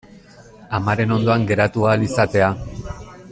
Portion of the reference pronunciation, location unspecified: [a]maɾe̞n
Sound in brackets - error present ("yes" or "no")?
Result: no